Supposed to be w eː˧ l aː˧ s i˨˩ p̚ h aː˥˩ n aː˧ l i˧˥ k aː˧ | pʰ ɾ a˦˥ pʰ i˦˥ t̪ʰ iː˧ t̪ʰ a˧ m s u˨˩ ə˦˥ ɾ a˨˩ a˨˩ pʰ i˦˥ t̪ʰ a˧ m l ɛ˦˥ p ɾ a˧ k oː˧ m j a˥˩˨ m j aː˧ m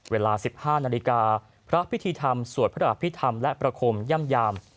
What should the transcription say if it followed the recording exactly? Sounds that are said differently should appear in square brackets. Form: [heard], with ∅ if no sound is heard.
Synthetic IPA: w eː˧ l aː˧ s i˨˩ p̚ h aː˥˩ n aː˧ l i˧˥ k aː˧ | pʰ ɾ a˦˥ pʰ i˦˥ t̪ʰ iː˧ t̪ʰ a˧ m s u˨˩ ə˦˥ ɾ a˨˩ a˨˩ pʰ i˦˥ t̪ʰ a˧ m l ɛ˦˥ p ɾ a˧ [kʰ] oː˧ m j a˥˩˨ m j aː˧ m